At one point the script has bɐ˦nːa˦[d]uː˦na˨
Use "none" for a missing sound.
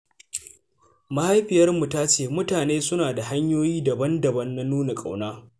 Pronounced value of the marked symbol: n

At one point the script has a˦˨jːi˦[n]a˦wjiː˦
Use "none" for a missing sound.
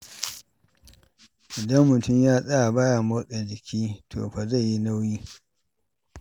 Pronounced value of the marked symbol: n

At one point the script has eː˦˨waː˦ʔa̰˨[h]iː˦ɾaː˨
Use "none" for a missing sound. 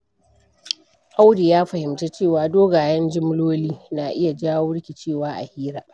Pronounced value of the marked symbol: h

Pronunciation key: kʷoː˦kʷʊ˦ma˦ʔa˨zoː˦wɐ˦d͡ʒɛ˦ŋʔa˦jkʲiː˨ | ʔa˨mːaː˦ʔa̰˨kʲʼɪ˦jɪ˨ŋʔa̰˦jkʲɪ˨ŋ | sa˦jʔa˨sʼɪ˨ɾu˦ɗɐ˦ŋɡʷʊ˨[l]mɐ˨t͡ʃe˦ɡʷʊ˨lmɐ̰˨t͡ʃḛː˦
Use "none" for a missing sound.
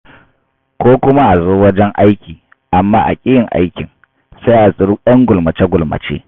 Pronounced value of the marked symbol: l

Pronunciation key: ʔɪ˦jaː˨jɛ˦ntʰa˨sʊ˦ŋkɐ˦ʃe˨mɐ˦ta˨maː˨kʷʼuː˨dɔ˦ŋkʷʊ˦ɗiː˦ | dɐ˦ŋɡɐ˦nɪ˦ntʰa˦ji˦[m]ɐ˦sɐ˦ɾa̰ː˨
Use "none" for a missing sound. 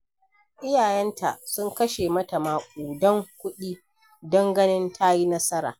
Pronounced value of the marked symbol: n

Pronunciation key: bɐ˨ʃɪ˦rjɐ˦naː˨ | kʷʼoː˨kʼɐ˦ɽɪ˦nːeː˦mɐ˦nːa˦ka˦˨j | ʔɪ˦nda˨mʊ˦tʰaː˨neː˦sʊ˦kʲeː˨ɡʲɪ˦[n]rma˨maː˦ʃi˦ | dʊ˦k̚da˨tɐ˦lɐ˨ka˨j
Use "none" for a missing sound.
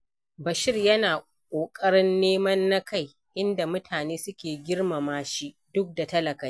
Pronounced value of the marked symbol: none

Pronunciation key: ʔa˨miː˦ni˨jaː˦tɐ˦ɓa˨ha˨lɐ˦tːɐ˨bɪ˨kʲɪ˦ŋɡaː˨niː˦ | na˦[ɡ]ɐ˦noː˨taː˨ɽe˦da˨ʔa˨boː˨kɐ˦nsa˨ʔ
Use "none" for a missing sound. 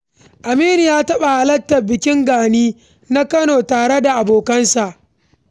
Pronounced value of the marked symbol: k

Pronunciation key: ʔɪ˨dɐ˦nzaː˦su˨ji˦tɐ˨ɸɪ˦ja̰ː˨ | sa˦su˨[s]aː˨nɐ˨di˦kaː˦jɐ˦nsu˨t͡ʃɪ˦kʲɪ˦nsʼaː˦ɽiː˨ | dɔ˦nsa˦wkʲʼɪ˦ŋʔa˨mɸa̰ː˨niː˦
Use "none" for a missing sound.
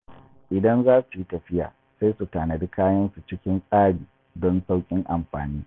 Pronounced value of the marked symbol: t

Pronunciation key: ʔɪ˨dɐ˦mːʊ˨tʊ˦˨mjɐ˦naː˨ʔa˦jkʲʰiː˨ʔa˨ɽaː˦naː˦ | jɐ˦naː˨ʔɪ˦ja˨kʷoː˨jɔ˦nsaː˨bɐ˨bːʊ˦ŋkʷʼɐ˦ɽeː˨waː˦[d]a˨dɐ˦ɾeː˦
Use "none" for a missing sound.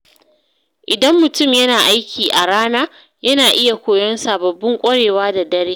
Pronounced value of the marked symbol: d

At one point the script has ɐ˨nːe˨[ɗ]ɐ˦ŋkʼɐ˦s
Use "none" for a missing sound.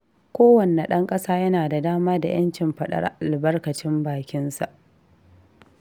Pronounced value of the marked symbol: ɗ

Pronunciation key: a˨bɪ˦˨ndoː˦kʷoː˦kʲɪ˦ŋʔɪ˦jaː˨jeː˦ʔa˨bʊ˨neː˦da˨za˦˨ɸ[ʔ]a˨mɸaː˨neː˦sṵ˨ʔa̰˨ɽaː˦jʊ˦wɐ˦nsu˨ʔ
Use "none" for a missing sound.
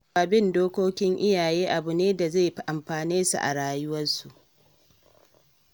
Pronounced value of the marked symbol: ʔ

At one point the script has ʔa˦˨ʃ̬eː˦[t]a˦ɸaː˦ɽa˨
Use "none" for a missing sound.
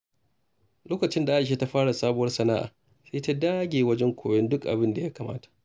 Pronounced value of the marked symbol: t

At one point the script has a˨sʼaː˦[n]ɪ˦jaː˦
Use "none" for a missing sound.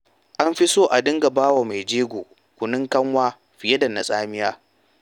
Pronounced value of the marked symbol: m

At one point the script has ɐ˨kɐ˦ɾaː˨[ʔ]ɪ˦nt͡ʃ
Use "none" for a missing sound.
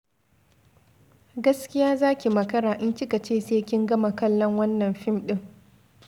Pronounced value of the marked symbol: ʔ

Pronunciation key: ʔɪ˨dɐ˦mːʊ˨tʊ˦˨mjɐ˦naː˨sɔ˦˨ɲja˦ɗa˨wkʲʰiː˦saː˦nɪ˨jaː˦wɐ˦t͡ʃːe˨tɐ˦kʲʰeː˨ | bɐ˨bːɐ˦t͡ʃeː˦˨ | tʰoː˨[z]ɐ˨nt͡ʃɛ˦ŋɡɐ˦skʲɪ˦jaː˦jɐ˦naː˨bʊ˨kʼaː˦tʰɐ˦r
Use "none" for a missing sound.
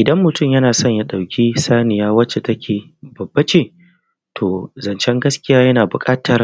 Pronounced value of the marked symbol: z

